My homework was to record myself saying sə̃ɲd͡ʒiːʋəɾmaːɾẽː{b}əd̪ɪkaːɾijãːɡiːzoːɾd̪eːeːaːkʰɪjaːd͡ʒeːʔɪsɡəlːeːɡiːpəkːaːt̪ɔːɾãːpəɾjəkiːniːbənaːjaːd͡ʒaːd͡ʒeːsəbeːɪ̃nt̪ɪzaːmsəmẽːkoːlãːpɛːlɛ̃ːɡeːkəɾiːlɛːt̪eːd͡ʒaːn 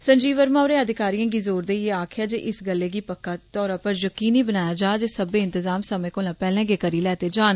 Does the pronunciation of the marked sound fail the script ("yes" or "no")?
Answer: yes